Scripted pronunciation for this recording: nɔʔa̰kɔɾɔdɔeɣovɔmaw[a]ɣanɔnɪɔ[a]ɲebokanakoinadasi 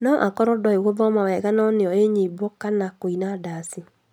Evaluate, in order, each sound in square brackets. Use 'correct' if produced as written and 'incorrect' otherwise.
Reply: incorrect, incorrect

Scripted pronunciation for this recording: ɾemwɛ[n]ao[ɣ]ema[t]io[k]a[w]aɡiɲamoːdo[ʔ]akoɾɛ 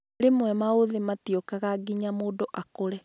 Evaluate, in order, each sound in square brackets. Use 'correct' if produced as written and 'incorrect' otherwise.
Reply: incorrect, incorrect, correct, correct, incorrect, correct

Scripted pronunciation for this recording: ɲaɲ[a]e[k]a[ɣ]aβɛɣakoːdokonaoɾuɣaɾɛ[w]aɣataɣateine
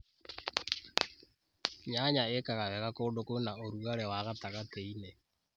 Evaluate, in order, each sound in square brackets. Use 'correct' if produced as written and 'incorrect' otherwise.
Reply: correct, correct, correct, correct

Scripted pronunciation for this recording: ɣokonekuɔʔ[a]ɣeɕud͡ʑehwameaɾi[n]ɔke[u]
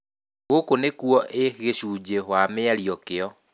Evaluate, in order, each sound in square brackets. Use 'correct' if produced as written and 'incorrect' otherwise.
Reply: incorrect, incorrect, incorrect

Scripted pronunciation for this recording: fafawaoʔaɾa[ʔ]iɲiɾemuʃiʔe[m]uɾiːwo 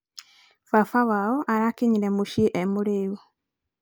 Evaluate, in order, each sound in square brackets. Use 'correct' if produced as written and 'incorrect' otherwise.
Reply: incorrect, correct

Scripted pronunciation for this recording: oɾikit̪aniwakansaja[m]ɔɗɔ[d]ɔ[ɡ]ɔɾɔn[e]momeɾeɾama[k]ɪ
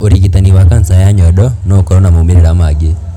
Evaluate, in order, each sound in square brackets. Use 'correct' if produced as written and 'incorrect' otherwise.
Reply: incorrect, incorrect, incorrect, incorrect, incorrect

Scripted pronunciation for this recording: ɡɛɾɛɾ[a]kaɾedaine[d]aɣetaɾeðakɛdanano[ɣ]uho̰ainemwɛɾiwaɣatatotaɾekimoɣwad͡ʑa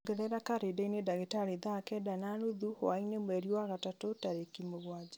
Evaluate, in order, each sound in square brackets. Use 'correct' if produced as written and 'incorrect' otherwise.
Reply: correct, correct, incorrect

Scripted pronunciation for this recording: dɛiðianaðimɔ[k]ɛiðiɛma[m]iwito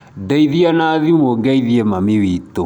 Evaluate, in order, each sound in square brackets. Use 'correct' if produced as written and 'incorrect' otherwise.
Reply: incorrect, correct

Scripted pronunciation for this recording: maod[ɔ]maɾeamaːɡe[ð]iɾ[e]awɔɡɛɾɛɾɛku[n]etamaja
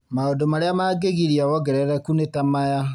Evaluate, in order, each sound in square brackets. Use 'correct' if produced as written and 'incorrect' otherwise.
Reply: incorrect, incorrect, incorrect, correct

